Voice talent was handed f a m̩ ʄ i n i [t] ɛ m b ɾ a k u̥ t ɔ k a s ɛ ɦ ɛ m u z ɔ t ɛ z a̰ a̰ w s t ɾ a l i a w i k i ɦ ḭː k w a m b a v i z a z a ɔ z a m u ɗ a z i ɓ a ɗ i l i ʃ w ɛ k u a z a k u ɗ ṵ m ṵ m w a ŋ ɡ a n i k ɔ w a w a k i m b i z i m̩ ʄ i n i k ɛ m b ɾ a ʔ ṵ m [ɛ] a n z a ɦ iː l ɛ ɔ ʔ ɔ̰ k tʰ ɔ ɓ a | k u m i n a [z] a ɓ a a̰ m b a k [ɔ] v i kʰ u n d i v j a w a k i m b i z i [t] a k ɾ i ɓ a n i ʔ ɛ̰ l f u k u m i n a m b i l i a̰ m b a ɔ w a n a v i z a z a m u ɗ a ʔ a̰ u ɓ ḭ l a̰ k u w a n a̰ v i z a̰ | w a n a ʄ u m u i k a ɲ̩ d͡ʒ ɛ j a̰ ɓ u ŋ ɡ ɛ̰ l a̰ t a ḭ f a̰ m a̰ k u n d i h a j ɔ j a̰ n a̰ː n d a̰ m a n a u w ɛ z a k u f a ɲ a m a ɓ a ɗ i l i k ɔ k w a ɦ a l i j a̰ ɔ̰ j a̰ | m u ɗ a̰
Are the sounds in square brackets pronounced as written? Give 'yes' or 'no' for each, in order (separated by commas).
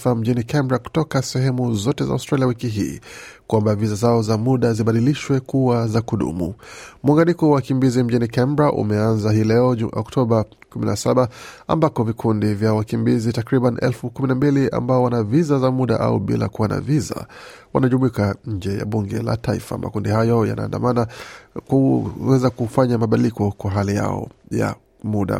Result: no, yes, no, yes, yes